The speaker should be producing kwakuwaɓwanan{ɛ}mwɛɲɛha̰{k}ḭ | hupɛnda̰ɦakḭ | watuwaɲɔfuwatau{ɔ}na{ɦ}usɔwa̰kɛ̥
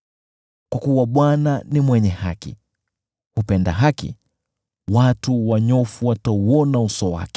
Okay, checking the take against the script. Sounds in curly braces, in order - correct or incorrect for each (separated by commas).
incorrect, correct, correct, incorrect